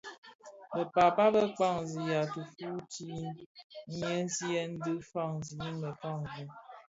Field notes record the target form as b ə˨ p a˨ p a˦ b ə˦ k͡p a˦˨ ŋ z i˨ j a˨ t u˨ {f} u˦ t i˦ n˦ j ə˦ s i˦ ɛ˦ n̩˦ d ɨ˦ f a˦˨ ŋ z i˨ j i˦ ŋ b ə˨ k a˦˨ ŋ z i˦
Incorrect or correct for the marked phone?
correct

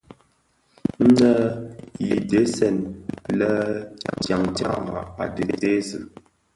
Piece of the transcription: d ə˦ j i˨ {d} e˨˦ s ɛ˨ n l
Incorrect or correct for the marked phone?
correct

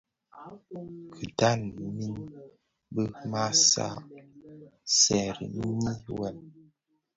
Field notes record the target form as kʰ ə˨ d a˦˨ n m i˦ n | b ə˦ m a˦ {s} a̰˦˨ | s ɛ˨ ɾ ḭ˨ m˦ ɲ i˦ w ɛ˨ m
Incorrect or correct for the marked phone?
correct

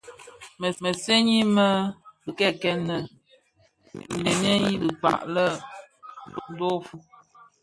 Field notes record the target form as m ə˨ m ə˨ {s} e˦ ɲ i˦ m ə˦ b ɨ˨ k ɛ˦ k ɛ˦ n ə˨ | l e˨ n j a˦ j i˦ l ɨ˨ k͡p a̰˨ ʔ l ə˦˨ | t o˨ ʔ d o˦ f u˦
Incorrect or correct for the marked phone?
correct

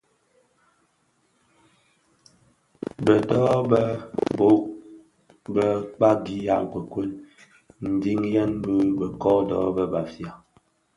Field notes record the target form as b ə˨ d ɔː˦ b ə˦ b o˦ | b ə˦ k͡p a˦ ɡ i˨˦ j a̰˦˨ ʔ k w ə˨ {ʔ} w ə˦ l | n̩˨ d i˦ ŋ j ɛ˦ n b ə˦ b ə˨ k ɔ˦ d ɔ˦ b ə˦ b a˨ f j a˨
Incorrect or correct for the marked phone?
incorrect: k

